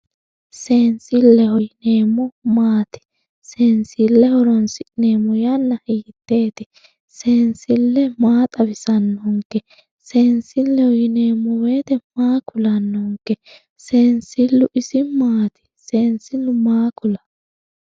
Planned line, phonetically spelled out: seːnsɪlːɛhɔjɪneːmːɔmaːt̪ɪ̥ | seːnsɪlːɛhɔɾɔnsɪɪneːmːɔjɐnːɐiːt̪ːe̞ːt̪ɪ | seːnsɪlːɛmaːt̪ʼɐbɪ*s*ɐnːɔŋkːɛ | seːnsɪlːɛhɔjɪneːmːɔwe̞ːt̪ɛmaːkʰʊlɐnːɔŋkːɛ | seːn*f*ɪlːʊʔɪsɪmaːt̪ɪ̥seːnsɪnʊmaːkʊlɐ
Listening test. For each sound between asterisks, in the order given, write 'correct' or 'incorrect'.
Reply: correct, incorrect

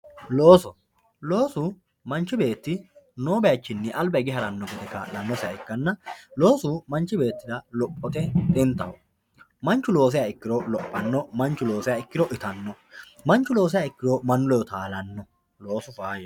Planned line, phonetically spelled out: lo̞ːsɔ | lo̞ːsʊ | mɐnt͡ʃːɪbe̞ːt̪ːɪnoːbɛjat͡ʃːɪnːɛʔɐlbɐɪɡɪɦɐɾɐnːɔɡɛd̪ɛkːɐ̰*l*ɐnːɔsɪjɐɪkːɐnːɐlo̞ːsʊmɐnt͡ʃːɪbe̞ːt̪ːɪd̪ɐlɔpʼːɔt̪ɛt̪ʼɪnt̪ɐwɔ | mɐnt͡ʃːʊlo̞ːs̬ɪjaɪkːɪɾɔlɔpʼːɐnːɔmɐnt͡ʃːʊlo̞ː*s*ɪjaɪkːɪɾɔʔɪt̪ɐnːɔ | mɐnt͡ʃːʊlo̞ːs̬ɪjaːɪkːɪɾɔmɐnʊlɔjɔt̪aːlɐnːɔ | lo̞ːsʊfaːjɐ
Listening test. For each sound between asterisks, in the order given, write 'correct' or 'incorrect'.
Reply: correct, correct

